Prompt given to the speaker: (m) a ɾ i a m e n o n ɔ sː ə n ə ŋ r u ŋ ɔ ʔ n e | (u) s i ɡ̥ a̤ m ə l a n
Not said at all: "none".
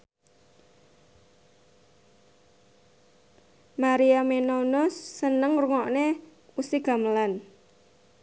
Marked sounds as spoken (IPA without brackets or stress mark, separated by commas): m, u